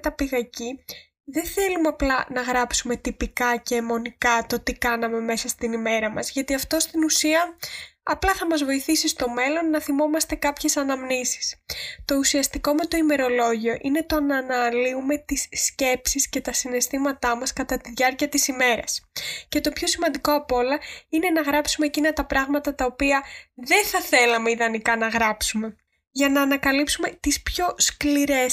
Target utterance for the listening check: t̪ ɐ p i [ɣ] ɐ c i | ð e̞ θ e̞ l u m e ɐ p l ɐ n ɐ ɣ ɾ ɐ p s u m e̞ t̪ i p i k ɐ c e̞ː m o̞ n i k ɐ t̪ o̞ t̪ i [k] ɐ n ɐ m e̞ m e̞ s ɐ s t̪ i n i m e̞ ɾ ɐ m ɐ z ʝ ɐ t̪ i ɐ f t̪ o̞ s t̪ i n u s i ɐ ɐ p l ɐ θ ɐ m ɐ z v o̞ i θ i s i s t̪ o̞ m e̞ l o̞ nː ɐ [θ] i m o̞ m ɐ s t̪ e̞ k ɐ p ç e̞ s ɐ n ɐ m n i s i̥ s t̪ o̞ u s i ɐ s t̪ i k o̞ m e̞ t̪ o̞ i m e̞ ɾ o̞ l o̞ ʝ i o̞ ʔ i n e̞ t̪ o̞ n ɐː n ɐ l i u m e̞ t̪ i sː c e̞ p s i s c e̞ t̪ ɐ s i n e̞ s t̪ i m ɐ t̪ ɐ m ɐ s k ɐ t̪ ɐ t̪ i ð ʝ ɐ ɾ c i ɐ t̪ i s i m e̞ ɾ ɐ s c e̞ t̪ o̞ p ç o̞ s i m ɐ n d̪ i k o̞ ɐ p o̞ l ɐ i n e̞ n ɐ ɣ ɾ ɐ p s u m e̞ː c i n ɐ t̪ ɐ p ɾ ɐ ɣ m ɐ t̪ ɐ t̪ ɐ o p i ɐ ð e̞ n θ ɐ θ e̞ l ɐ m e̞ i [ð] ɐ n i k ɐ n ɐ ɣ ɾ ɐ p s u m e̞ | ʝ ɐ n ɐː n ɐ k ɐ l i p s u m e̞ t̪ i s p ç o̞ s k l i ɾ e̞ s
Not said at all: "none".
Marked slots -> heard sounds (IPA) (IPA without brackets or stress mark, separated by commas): ɣ, k, θ, ð